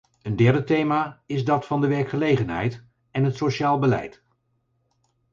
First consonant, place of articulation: alveolar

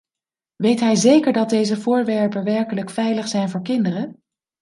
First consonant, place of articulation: labial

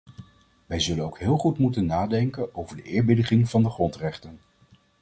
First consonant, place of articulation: labial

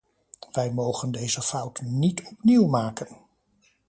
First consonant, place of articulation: labial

